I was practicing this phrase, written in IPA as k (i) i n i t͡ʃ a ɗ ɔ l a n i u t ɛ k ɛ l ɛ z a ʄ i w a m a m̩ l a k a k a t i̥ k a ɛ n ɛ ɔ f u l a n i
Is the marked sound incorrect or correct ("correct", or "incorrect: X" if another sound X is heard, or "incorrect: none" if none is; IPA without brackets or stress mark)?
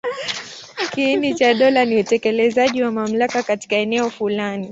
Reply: correct